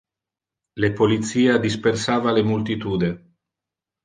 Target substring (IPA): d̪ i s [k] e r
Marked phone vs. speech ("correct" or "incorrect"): incorrect